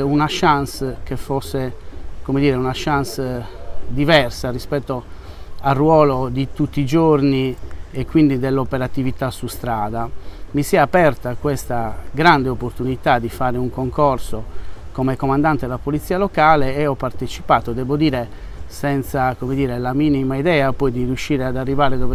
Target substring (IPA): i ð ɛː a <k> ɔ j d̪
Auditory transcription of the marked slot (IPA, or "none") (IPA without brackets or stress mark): p